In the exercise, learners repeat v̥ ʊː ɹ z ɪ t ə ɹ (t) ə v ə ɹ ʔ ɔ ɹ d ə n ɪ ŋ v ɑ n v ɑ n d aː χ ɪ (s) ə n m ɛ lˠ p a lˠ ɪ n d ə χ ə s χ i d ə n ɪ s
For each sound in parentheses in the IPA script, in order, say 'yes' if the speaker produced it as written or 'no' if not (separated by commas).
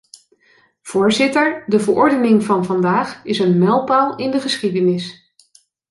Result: no, yes